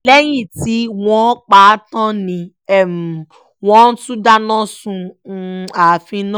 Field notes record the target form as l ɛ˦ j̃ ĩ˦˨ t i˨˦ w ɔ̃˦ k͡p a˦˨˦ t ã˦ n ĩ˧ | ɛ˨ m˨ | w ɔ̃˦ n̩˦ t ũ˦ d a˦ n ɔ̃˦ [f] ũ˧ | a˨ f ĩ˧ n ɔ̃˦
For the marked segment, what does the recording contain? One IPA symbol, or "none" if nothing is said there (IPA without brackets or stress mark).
s